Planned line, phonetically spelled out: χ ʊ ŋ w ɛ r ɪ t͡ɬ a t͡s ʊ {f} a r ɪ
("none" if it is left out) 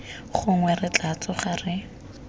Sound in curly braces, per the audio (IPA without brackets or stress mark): χ